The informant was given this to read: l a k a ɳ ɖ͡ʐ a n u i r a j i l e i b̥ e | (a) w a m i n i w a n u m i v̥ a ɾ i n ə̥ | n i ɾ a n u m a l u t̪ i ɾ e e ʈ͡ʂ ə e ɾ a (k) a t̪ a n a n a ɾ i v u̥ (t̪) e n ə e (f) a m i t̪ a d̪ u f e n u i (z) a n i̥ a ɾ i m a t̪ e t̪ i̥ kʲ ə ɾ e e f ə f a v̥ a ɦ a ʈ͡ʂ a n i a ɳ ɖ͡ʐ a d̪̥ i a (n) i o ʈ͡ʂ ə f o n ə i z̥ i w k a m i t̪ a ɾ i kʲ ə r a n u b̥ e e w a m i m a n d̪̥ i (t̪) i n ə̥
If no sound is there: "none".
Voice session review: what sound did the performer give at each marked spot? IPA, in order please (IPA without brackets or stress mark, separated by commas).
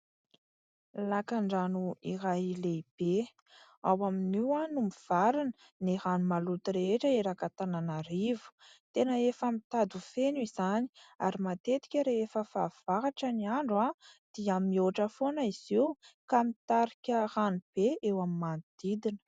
a, k, t̪, f, z, m, d̪